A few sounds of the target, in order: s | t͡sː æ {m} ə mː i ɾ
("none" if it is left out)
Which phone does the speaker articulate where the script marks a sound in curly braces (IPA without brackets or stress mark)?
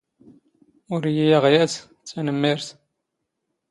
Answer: n